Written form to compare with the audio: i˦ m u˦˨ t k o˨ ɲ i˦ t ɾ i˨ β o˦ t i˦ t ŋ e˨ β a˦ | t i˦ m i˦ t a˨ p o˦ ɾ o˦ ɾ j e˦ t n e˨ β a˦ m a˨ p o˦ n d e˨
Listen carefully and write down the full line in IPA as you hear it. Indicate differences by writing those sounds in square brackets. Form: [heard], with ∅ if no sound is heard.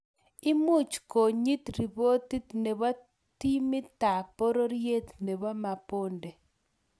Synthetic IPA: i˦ m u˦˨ [t͡ʃ] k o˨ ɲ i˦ t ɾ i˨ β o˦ t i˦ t [n] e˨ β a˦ | t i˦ m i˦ t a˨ p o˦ ɾ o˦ ɾ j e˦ t n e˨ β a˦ m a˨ p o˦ n d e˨